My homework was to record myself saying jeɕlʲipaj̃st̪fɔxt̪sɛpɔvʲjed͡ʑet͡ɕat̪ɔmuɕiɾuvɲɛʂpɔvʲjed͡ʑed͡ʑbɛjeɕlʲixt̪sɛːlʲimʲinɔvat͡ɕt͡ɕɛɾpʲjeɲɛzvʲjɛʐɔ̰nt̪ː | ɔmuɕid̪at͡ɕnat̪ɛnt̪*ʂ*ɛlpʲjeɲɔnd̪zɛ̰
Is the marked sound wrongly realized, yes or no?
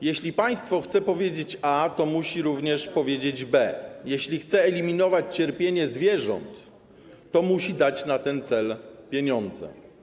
yes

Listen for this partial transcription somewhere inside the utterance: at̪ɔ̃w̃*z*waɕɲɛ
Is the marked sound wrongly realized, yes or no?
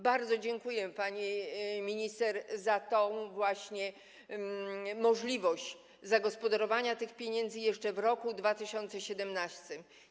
yes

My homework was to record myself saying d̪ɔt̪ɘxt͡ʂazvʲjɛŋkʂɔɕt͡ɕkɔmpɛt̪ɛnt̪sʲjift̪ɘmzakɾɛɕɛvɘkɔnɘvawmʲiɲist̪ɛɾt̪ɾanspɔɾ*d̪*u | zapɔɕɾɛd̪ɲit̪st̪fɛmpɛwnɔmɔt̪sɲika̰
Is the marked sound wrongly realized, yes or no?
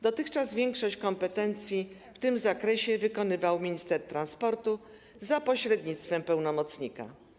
yes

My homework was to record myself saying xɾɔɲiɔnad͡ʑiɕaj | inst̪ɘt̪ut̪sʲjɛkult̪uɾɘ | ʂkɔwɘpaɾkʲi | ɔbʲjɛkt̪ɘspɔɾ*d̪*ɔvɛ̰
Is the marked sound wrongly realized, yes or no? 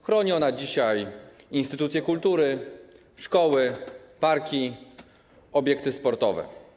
yes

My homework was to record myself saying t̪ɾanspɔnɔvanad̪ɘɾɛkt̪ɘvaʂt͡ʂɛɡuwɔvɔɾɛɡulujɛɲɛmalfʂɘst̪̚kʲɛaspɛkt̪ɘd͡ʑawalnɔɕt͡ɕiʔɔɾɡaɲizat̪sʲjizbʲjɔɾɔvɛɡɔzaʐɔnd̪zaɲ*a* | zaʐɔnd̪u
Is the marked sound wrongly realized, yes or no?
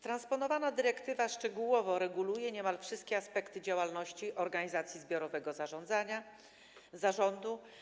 no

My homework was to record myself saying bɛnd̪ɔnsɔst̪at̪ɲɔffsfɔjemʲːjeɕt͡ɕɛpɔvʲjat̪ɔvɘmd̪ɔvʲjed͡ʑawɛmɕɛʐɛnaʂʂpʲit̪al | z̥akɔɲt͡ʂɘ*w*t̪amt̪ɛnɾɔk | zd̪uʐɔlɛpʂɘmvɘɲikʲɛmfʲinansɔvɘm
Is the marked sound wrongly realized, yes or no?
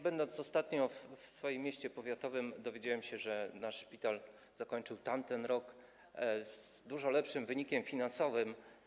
no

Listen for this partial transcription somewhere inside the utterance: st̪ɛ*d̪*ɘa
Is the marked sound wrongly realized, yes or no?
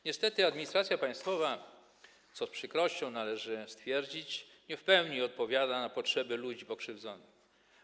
yes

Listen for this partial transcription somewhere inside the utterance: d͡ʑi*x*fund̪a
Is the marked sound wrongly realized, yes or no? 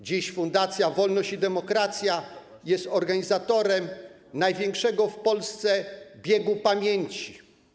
yes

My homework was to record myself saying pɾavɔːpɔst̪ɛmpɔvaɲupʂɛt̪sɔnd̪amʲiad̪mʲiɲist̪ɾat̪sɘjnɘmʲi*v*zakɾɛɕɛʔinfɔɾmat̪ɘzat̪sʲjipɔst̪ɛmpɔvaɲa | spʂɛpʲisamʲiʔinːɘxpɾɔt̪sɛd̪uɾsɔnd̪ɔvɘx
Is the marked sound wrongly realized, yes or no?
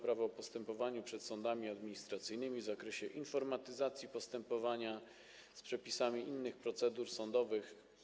no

